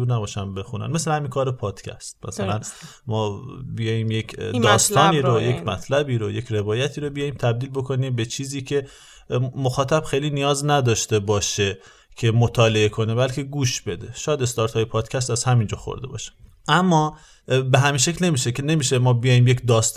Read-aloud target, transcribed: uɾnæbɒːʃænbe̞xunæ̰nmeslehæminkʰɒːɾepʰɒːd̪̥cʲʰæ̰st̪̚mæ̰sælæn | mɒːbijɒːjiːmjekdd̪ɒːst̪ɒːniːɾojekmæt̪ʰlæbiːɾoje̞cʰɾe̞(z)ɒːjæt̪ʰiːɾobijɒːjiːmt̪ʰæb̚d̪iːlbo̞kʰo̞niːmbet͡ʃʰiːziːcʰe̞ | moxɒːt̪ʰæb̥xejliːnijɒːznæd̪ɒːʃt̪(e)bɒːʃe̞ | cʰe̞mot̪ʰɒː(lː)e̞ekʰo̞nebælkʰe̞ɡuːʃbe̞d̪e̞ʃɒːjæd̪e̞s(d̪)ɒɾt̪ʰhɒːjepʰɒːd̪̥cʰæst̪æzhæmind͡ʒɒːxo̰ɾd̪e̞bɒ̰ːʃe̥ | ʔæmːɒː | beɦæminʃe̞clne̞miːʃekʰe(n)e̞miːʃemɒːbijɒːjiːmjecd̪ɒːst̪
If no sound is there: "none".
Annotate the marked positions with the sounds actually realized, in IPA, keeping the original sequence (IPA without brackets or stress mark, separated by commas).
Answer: v, e, l, t̪, n